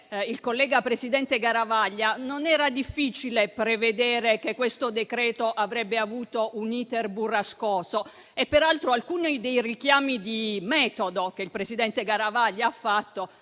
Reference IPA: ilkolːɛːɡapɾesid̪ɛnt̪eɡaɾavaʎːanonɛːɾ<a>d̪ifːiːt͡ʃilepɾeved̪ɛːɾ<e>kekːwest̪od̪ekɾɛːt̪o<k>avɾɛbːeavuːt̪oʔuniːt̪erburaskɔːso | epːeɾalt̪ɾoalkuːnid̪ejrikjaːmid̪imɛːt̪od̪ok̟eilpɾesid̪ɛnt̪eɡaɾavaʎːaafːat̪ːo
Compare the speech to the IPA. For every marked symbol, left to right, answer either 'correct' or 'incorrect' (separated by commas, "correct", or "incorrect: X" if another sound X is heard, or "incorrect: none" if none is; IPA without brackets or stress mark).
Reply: correct, correct, incorrect: ʔ